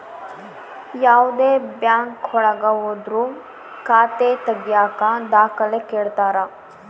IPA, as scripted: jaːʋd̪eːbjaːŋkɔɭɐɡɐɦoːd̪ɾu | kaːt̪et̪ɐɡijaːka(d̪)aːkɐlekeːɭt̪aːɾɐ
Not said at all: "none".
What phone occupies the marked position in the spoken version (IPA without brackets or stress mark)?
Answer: d̪